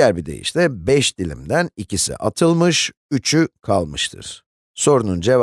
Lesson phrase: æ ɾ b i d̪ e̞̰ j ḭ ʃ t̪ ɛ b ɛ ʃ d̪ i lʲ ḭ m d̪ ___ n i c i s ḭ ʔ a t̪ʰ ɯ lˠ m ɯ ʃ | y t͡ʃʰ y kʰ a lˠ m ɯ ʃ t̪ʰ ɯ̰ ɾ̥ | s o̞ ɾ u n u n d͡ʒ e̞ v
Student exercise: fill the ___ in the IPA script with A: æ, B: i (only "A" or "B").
A